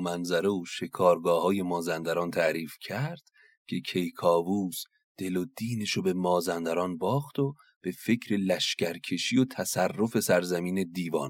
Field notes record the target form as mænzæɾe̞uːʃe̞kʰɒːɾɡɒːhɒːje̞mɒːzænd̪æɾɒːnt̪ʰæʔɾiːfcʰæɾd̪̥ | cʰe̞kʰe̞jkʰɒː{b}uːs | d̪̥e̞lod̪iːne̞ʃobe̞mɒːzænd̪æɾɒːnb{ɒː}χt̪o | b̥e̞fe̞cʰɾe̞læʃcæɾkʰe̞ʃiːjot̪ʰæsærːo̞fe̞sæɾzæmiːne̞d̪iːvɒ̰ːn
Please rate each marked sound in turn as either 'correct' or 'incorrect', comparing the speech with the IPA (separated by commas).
incorrect, correct